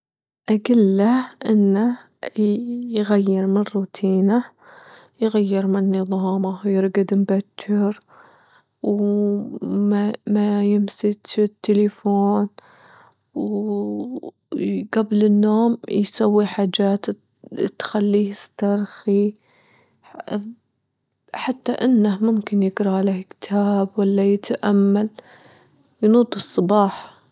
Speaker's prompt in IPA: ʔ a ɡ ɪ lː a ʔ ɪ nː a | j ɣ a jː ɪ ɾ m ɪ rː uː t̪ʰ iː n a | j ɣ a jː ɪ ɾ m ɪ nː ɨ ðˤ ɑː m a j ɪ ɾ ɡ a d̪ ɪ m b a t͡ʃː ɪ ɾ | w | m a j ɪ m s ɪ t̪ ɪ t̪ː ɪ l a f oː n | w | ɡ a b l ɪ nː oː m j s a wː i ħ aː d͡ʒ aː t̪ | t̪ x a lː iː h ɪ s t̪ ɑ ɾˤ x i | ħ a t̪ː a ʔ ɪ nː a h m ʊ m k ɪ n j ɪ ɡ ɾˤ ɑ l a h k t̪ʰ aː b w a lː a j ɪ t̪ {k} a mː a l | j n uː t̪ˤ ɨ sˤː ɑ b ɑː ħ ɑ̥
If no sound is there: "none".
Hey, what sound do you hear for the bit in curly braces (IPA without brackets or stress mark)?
ʔ